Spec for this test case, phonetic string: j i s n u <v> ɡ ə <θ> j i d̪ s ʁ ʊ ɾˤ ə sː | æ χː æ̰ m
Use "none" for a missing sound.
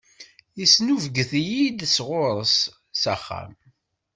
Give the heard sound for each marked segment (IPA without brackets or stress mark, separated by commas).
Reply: v, θ